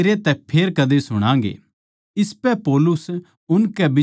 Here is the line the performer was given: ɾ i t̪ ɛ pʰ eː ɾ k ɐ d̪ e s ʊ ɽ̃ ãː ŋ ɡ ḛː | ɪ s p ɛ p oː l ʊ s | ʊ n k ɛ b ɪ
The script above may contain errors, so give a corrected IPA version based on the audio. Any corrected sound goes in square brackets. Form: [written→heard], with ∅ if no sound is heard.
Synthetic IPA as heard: ɾ [i→e] t̪ ɛ pʰ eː ɾ k ɐ d̪ e s ʊ ɽ̃ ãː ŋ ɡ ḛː | ɪ s p ɛ p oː l ʊ s | ʊ n k ɛ b ɪ